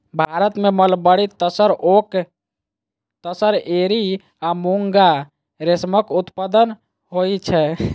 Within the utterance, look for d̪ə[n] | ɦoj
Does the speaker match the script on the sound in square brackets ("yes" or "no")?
yes